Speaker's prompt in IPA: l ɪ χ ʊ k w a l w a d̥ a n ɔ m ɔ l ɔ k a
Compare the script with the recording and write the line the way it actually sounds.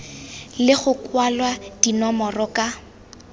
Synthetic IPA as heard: l ɪ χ ʊ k w a l w a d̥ i n ɔ m ɔ r ɔ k a